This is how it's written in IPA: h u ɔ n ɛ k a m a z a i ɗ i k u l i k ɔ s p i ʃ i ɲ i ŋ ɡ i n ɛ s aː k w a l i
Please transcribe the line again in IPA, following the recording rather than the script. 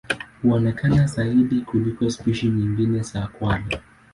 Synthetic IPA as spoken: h u ɔ n ɛ k a n a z a i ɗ i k u l i k ɔ s p i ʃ i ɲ i ŋ ɡ i n ɛ s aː k w a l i